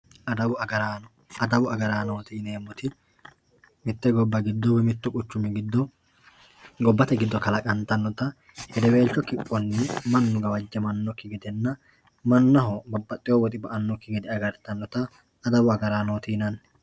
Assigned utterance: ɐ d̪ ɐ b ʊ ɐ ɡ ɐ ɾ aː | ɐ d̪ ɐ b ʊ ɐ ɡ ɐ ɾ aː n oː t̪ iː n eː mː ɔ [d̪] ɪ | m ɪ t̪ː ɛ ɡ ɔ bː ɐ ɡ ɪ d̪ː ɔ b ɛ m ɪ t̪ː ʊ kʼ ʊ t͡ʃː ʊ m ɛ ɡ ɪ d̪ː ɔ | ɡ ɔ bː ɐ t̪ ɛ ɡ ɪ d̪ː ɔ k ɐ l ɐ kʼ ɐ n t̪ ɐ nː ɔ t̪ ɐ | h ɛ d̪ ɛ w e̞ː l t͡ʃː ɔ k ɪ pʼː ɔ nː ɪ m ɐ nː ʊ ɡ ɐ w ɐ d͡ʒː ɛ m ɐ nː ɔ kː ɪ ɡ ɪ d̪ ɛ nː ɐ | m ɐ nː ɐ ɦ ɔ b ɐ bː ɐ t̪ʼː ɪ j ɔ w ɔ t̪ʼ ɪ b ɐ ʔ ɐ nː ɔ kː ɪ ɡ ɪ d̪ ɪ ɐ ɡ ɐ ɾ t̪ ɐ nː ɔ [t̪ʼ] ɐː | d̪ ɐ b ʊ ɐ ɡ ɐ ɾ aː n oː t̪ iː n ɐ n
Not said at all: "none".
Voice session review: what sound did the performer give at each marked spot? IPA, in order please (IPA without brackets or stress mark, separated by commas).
t̪, t̪